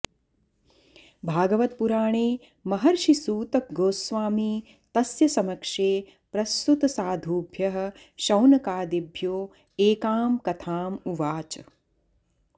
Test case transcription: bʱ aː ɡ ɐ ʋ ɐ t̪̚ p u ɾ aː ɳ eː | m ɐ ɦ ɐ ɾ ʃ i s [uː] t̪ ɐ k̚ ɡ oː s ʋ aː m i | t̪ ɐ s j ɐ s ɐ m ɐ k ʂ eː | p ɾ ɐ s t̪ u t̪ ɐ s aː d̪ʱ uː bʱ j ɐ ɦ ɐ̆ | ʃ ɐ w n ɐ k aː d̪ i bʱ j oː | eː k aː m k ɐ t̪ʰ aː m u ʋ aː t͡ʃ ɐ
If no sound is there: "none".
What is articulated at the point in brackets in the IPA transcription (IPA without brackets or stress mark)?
uː